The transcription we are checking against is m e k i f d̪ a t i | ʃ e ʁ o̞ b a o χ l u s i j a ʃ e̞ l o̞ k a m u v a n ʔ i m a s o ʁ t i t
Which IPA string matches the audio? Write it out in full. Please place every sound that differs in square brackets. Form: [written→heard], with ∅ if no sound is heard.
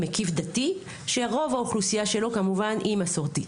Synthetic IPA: m e k i f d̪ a t i | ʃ e ʁ o̞ [b→v] a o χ l u s i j a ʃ e̞ l o̞ k a m u v a n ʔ i m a s o ʁ t i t